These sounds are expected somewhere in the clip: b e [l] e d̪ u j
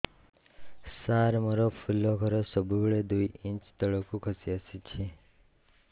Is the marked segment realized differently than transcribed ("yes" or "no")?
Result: yes